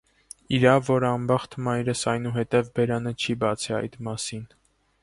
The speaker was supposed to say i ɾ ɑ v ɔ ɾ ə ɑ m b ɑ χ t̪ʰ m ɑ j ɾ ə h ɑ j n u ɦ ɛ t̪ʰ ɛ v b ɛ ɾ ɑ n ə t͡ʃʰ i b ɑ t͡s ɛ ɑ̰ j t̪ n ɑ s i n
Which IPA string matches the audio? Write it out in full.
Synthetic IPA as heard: i ɾ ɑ v ɔ ɾ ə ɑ m b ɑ χ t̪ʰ m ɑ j ɾ ə s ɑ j n u ɦ ɛ t̪ ɛ v b ɛ ɾ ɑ n ə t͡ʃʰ i b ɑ t͡sʰ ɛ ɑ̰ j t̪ m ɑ s i n